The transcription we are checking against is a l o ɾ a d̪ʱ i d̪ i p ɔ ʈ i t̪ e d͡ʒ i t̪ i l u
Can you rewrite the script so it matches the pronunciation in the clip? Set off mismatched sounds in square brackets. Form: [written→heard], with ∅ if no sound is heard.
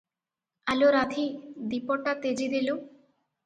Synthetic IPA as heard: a l o ɾ a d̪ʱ i d̪ i p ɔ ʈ [i→a] t̪ e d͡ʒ i [t̪→d̪] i l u